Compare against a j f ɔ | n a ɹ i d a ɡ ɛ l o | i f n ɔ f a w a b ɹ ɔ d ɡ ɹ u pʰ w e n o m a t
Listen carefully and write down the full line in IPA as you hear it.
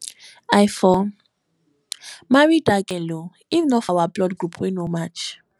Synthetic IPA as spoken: a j f ɔ | m a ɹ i d a ɡ ɛ l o | i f n ɔ f a w a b l ɔ d ɡ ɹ u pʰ w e n o m a t͡ʃ